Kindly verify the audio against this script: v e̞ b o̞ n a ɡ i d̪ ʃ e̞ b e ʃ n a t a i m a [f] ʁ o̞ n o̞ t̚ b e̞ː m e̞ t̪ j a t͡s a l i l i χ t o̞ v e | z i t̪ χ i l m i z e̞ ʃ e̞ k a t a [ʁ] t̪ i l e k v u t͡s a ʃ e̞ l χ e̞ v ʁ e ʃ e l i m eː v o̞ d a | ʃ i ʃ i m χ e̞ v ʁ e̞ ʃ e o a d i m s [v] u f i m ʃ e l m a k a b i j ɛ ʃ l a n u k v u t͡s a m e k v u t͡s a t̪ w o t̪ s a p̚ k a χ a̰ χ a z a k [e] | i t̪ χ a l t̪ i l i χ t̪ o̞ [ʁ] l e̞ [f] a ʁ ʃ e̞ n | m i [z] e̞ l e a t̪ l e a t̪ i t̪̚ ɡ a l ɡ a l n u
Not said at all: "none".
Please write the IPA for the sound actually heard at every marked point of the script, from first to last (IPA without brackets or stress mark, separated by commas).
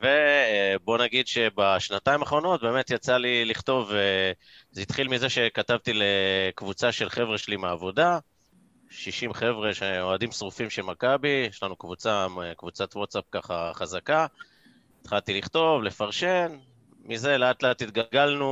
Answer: χ, v, ʁ, a, v, f, z